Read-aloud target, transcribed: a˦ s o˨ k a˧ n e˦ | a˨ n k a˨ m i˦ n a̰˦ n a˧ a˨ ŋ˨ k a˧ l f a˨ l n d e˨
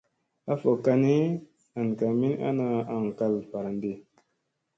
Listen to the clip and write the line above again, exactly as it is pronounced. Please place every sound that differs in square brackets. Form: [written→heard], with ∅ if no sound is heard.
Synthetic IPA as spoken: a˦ [s→f] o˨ k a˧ n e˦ | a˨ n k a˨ m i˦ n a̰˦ n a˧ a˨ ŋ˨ k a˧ l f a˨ [l→ɾ] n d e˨